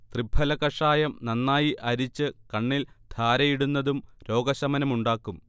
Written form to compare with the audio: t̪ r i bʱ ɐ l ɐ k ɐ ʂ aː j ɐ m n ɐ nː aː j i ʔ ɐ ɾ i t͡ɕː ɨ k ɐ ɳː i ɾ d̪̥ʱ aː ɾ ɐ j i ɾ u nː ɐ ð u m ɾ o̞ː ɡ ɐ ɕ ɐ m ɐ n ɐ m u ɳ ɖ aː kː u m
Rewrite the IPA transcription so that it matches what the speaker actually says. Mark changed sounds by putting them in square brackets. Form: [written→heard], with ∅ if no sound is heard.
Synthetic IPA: t̪ r i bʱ ɐ l ɐ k ɐ ʂ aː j ɐ m n ɐ nː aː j i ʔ ɐ ɾ i t͡ɕː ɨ k ɐ ɳː i [ɾ→l] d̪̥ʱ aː ɾ ɐ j i [ɾ→ɽ] u nː ɐ ð u m ɾ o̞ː ɡ ɐ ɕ ɐ m ɐ n ɐ m u ɳ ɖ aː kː u m